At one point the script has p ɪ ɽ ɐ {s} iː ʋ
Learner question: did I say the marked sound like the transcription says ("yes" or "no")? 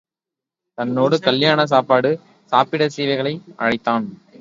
yes